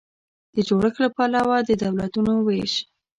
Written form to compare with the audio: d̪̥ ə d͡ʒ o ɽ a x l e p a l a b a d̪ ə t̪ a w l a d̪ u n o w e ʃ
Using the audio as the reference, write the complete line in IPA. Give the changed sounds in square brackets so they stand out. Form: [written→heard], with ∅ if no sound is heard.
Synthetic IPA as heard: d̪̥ ə d͡ʒ o ɽ [a→ə] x l [e→a] p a l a [b→w] a d̪ ə [t̪→d̪] a w l a [d̪→t̪] u n o w e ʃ